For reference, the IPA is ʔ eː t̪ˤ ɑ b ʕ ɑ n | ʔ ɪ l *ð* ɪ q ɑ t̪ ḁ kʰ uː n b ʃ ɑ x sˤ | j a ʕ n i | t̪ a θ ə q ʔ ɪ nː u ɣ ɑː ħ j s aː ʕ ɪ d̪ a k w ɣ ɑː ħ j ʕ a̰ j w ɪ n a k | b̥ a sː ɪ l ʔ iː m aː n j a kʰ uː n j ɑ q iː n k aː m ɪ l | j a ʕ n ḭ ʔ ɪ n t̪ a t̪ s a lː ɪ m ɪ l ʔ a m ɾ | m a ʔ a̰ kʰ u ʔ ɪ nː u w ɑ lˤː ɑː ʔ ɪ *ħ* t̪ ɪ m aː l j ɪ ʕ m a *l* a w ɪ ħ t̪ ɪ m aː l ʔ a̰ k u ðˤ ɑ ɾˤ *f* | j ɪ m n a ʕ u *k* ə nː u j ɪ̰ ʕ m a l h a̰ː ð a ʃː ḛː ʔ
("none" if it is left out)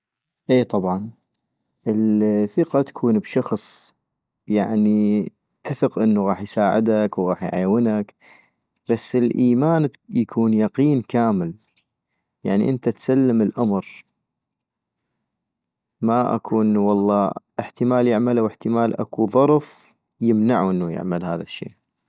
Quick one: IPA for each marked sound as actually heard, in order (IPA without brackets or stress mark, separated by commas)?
θ, ħ, l, f, ʔ